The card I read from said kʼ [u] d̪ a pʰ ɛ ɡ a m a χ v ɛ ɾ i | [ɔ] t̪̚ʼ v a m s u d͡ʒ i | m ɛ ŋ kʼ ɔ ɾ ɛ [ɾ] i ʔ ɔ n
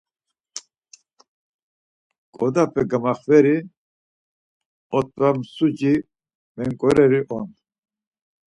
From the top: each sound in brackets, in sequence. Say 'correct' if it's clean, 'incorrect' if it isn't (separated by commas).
incorrect, correct, correct